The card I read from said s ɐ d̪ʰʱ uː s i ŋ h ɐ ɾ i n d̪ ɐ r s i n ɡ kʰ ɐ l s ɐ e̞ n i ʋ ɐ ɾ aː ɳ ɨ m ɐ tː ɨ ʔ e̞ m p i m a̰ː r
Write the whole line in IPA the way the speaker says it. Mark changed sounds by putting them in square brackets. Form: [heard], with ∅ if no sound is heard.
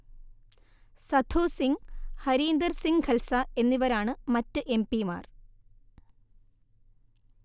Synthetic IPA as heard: s ɐ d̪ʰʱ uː s i ŋ h ɐ ɾ [iː] n d̪ ɐ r s i [ŋ] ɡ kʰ ɐ l s ɐ e̞ [nː] i ʋ ɐ ɾ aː ɳ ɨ m ɐ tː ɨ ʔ e̞ m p i m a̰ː r